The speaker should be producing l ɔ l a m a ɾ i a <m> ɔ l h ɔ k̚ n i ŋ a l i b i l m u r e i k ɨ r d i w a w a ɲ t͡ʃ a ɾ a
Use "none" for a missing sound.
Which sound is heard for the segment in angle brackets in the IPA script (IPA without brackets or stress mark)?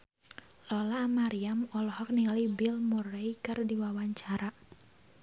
m